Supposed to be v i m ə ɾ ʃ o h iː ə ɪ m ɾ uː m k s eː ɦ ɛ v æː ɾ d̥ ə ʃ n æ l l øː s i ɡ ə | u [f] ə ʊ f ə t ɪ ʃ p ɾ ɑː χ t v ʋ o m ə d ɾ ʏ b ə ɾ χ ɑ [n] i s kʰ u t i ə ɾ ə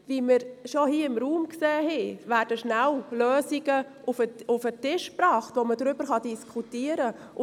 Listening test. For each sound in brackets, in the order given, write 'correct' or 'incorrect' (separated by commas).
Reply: correct, incorrect